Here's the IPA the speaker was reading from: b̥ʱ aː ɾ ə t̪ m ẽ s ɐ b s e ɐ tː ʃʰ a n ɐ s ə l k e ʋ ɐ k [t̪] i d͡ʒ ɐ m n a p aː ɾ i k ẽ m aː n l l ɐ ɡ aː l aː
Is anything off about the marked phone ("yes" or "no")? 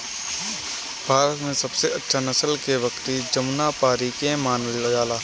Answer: no